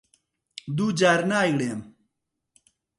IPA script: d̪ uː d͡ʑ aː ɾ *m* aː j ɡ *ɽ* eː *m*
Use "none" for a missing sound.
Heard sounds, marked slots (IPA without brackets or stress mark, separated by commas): n, ɽ, m